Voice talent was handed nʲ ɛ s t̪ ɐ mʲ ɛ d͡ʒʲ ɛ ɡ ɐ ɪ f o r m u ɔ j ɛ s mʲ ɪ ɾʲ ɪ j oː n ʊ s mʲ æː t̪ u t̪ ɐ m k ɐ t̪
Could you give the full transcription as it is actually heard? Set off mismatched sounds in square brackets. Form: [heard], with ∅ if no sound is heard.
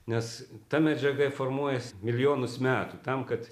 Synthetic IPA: nʲ ɛ s t̪ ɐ mʲ ɛ d͡ʒʲ ɛ ɡ ɐ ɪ f o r m u ɔ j ɛ s mʲ ɪ [lʲ] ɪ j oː n ʊ s mʲ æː t̪ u t̪ ɐ m k ɐ t̪